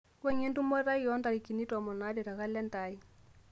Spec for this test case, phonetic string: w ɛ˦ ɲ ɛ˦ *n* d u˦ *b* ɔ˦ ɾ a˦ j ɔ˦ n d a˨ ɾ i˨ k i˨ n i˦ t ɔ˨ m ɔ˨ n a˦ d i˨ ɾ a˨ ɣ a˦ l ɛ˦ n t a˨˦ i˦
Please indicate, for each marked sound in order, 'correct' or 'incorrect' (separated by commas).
correct, incorrect